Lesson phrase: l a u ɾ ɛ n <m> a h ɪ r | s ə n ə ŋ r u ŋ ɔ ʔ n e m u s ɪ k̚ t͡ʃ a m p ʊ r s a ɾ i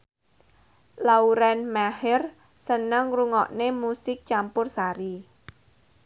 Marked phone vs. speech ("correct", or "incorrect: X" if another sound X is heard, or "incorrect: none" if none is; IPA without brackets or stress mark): correct